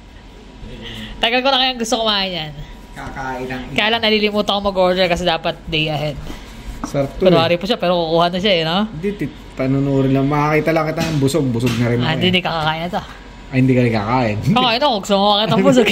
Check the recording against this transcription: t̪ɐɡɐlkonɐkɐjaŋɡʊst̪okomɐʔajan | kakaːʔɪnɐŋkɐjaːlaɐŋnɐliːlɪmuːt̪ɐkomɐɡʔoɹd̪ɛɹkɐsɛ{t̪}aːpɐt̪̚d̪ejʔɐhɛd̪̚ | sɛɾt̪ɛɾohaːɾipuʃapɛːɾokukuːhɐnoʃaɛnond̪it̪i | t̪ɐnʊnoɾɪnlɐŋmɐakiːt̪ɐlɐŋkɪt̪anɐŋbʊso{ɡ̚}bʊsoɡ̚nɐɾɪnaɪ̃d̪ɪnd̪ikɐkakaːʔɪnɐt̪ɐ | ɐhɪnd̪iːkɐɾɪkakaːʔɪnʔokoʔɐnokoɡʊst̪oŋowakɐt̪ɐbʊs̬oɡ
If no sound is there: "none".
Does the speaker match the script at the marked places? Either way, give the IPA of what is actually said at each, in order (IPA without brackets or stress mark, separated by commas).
d̪, ɡ̚